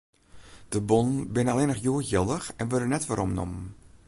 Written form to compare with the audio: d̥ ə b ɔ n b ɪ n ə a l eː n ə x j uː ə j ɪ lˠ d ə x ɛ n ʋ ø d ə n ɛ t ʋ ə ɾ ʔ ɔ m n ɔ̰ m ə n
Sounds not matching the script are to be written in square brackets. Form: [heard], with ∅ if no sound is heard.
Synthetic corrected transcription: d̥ ə b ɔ n b ɪ n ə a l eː n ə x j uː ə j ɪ lˠ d ə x ɛ n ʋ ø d ə n ɛ t ʋ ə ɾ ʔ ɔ m n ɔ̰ m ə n